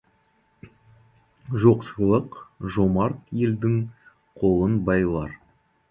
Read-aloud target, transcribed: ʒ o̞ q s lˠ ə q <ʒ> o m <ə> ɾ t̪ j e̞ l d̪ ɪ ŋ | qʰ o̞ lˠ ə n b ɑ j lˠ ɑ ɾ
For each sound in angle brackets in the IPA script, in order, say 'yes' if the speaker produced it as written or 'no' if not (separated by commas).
yes, no